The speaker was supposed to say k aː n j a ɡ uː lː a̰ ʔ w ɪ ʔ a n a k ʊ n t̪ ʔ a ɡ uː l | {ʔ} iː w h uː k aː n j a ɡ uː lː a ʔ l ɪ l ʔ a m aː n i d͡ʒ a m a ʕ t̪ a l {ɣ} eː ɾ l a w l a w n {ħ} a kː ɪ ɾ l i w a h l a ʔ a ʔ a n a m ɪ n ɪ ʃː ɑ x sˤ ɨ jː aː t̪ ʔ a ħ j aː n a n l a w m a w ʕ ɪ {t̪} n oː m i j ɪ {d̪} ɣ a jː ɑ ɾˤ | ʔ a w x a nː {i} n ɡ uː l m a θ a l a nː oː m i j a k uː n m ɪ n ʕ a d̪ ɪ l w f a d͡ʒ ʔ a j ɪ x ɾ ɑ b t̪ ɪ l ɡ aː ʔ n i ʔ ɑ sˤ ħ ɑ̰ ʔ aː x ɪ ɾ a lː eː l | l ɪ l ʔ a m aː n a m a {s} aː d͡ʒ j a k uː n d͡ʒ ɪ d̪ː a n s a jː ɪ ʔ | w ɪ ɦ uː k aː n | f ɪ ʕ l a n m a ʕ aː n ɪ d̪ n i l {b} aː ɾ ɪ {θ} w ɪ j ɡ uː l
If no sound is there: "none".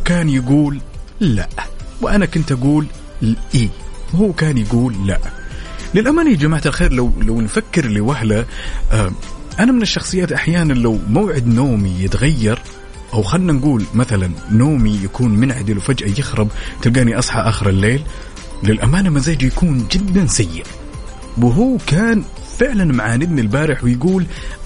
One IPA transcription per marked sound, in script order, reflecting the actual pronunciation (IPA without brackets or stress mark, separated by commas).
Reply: ʔ, x, f, d̪, t̪, a, z, b, ħ